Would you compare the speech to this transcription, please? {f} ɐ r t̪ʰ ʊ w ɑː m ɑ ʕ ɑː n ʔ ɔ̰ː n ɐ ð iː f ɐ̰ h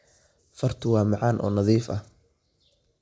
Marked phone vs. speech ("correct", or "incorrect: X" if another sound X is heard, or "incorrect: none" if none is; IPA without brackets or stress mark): correct